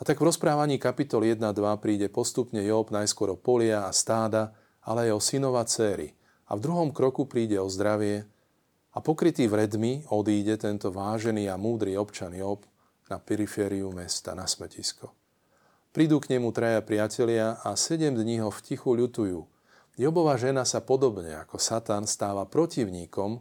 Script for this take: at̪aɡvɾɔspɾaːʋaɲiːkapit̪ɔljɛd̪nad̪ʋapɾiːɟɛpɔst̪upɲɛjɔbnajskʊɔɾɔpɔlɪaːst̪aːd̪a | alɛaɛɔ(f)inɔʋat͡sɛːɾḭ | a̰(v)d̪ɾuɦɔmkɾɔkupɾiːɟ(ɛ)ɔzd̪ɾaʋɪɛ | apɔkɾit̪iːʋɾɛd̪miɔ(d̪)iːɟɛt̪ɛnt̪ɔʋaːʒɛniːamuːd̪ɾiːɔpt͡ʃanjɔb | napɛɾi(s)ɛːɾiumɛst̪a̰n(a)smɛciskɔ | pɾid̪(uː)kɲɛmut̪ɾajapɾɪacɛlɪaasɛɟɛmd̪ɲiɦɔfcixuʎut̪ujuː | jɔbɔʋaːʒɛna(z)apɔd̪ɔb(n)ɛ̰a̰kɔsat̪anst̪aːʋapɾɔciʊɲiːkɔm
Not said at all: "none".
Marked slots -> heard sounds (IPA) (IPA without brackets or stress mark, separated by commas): s, v, ɛ, d̪, f, a, uː, s, ɲ